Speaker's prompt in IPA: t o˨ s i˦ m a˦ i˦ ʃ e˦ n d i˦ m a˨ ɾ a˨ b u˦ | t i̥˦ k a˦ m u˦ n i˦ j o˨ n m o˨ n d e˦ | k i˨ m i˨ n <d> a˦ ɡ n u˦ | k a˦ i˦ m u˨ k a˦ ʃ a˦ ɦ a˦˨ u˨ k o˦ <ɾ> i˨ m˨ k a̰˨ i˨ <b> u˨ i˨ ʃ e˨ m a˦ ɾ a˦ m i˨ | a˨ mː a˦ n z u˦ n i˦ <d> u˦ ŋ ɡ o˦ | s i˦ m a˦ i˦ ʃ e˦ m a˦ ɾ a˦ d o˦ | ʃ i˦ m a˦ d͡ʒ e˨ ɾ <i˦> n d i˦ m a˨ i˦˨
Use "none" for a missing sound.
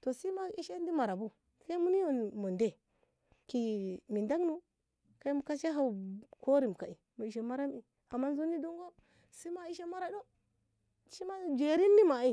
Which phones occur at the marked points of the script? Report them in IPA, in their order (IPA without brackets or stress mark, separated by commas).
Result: d, ɾ, m, d, i˦